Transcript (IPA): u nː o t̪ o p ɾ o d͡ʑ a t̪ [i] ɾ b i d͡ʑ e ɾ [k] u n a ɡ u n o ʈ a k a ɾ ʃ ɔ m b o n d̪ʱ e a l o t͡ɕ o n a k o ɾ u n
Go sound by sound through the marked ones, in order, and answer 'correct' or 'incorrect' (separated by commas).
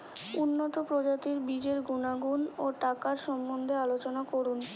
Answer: correct, incorrect